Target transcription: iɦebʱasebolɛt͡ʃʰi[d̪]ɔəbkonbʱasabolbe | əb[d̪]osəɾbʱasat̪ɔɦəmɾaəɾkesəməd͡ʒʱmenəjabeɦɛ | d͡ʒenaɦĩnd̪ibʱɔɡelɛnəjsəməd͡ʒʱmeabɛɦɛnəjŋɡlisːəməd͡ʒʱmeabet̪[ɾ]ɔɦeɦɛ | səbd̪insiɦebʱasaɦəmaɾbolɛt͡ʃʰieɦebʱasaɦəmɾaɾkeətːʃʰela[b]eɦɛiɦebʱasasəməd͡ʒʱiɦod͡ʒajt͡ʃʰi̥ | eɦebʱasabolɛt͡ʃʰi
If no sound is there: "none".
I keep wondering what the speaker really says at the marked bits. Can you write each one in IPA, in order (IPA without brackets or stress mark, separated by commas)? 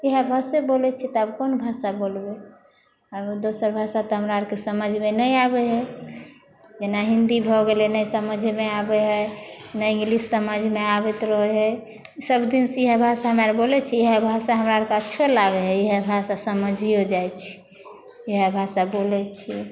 t̪, d̪, ɾ, ɡ